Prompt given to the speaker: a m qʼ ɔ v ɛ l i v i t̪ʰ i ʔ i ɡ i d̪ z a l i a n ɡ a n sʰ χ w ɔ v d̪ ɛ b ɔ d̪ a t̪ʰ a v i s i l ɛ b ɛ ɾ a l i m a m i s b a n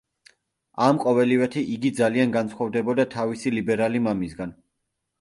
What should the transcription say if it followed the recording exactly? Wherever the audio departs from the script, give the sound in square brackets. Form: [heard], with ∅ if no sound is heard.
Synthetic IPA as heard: a m qʼ ɔ v ɛ l i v [ɛ] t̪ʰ i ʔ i ɡ i d̪ z a l i a n ɡ a n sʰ χ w ɔ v d̪ ɛ b ɔ d̪ a t̪ʰ a v i s i l [i] b ɛ ɾ a l i m a m i s [ɡ] a n